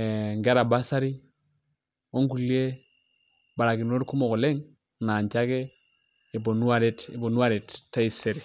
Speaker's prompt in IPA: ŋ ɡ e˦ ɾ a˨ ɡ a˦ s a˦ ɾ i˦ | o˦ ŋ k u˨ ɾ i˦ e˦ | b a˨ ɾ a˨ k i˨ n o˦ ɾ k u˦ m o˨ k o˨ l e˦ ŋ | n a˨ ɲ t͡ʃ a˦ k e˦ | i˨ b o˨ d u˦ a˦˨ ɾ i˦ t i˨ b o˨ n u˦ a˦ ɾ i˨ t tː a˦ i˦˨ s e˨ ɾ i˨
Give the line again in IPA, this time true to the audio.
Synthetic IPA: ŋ ɡ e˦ ɾ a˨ b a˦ s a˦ ɾ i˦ | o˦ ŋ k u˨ l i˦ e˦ | b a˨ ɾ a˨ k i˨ n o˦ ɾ k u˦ m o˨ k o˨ l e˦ ŋ | n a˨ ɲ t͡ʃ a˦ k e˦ | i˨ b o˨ n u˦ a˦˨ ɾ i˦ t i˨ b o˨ n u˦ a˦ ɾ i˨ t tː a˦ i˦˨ s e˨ ɾ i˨